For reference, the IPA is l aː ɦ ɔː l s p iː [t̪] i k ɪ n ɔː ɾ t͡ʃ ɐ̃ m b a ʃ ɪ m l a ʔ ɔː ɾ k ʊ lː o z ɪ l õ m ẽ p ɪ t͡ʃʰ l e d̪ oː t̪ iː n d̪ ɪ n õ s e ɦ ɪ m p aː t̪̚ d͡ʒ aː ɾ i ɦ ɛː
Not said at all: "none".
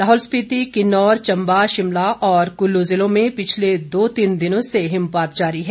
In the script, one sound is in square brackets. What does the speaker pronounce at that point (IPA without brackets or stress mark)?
t̪